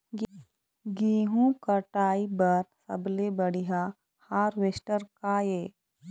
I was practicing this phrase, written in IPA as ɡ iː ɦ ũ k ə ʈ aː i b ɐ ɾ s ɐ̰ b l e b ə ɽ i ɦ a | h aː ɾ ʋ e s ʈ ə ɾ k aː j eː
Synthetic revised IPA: ɡ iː ɦ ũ k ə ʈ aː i b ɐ ɾ s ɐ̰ b l e b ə ɽ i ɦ a | h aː ɾ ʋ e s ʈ ə ɾ k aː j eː